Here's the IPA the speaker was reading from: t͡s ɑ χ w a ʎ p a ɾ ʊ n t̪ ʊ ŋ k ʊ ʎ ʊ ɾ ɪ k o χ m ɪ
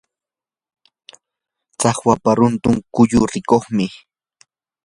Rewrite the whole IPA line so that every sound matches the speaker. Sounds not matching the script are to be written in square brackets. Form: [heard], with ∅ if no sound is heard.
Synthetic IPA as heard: t͡s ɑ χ w a [∅] p a ɾ ʊ n t̪ ʊ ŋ k ʊ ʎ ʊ ɾ ɪ k o χ m ɪ